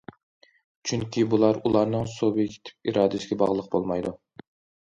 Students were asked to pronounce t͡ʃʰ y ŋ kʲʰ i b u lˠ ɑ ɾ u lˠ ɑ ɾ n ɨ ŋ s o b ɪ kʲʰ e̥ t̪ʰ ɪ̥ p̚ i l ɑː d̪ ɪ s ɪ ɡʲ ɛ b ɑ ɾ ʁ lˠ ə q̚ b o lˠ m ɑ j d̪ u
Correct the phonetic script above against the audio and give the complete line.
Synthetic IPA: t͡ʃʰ y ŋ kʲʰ i b u lˠ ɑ ɾ u lˠ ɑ ɾ n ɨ ŋ s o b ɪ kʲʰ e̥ t̪ʰ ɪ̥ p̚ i ɾ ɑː d̪ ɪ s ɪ ɡʲ ɛ b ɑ ʁ lˠ ə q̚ b o lˠ m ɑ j d̪ u